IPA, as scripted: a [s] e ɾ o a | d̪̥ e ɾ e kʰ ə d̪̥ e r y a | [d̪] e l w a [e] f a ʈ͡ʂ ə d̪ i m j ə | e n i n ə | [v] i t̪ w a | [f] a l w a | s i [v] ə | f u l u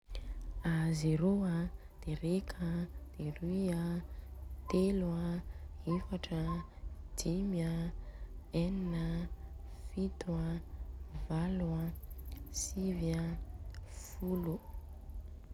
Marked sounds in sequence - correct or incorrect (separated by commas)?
incorrect, incorrect, correct, incorrect, incorrect, correct